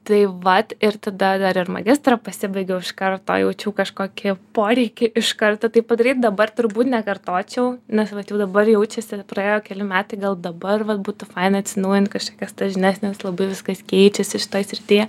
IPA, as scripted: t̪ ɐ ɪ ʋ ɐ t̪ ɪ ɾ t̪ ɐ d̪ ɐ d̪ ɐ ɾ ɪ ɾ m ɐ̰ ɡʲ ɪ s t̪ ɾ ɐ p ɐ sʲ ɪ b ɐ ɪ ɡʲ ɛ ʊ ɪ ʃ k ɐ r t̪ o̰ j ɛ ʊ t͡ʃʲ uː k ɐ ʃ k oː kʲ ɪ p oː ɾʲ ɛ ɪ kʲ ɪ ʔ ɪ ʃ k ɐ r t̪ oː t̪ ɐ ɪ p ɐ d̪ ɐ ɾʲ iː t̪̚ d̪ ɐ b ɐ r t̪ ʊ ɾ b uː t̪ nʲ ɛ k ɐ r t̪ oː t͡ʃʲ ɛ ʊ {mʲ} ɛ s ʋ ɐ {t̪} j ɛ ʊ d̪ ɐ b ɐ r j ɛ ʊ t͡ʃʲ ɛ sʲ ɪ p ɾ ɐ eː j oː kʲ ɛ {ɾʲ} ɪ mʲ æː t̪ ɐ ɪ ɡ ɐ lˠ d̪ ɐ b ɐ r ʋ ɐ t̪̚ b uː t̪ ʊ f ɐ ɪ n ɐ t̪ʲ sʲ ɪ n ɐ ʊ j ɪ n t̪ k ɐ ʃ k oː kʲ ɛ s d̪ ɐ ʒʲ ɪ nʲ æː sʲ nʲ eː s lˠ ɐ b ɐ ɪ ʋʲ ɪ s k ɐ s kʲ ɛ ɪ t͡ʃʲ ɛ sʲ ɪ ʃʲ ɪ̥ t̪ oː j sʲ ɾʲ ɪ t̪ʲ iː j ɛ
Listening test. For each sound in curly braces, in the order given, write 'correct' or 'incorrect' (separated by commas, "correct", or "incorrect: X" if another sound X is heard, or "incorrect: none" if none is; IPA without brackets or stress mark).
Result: incorrect: nʲ, correct, incorrect: lʲ